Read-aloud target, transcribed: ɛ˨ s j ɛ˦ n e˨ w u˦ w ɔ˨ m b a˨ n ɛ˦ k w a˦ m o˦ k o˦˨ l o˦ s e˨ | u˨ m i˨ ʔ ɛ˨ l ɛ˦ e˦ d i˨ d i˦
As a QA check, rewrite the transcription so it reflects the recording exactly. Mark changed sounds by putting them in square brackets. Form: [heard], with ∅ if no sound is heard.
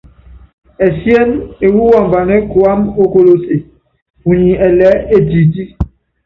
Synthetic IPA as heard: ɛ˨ s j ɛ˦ n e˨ w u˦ w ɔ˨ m b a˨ n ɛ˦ k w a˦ m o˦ k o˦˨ l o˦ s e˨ | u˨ [ɲ] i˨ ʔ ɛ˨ l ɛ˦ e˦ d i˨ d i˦